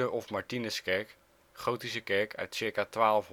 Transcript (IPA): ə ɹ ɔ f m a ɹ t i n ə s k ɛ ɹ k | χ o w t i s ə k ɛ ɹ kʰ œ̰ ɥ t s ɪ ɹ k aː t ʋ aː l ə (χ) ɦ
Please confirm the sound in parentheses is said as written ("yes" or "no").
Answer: no